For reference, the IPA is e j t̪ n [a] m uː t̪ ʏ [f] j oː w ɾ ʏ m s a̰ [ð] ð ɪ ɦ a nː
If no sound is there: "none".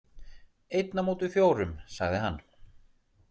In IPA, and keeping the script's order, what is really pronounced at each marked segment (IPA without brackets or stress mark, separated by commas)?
a, f, ɣ